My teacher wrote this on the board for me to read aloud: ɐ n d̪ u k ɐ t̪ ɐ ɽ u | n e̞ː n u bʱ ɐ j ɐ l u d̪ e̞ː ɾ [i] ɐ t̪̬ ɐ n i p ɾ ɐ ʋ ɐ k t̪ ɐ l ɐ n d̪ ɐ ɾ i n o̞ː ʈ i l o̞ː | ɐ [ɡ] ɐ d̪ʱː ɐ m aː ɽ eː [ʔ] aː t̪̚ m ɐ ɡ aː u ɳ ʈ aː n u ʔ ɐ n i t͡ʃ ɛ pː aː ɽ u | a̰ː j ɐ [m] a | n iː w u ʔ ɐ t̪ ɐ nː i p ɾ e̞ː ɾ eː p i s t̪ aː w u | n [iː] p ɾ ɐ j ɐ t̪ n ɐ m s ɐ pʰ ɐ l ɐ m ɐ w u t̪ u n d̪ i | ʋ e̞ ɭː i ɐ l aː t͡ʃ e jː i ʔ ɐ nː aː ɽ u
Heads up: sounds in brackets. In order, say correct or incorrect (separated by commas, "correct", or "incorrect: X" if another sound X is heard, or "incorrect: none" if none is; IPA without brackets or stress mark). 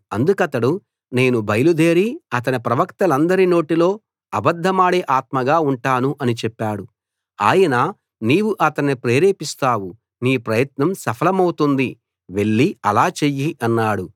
correct, incorrect: b, correct, incorrect: n, correct